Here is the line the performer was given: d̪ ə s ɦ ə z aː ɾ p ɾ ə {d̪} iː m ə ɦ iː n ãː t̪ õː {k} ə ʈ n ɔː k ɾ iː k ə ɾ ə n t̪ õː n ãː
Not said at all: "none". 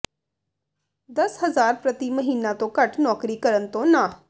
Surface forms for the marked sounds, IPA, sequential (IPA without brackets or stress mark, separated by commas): t̪, k